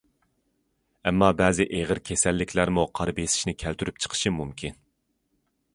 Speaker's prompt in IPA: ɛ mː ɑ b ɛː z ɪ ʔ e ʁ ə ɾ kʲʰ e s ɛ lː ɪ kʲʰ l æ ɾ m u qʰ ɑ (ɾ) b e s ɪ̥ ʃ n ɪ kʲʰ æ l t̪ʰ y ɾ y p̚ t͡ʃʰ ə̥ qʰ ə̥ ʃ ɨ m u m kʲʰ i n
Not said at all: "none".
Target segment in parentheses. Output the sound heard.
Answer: ɾ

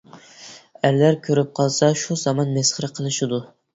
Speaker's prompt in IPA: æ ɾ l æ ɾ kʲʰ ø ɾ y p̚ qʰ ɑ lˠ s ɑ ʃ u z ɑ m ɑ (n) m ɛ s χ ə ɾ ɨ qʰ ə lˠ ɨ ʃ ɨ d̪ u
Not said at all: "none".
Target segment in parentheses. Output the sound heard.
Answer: n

